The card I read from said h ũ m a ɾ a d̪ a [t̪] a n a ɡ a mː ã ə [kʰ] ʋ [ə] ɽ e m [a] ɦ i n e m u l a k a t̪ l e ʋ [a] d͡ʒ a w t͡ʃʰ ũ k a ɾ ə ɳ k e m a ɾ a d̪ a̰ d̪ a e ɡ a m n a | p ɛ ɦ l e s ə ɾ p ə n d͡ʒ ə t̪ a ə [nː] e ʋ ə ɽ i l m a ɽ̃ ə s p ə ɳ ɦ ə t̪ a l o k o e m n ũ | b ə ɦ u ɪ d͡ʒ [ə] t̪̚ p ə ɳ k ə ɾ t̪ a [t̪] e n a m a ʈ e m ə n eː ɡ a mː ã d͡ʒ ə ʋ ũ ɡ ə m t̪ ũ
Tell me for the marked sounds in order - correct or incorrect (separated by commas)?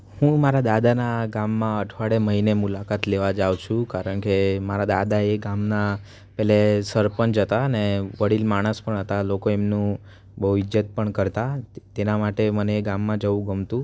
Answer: incorrect, incorrect, incorrect, incorrect, correct, incorrect, correct, correct